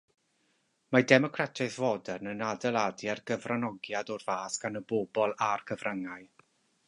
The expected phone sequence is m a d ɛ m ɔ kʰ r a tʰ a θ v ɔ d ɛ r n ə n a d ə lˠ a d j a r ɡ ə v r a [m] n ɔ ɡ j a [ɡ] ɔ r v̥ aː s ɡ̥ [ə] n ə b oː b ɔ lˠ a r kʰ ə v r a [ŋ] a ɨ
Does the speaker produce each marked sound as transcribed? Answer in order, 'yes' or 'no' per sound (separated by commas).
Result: no, no, no, yes